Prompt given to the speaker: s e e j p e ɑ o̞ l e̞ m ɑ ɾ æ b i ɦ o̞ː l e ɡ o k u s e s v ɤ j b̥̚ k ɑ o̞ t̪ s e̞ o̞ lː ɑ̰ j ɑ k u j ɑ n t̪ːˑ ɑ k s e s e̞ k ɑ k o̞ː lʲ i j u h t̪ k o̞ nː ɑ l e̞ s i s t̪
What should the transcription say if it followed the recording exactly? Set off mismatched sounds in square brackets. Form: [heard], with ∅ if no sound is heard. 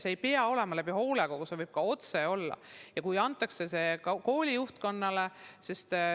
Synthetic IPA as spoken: s e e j p e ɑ o̞ l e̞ m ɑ [l] æ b i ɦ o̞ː l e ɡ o k u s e [∅] v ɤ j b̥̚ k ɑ o̞ t̪ s e̞ o̞ lː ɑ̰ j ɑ k u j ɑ n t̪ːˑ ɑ k s e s e̞ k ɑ k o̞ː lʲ i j u h t̪ k o̞ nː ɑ l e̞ s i s t̪